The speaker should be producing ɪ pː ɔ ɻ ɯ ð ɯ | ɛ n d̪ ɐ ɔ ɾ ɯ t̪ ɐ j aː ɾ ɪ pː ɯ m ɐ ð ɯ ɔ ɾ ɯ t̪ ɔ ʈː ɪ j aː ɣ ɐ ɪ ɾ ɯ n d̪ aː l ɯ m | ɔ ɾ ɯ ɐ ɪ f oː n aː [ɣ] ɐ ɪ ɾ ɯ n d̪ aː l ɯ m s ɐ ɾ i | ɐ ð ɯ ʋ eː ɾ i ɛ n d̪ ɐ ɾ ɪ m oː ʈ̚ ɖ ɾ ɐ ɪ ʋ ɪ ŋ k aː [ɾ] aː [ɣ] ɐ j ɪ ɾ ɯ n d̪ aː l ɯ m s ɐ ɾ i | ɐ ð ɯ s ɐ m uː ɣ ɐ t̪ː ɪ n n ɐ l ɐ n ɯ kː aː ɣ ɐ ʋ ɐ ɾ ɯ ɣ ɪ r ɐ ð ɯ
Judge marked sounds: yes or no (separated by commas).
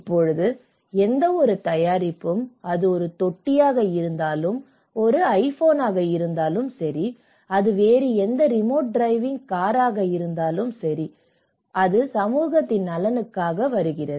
yes, yes, yes